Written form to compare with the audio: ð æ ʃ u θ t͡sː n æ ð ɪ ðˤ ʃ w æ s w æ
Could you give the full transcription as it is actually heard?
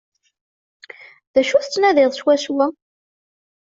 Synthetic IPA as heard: ð æ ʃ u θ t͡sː n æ ð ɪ ðˤ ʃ w æ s w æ